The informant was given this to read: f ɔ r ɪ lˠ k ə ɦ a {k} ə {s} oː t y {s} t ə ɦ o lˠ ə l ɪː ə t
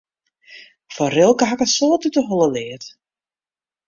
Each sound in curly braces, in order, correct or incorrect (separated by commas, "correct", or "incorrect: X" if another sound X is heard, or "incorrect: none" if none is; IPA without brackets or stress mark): correct, correct, incorrect: none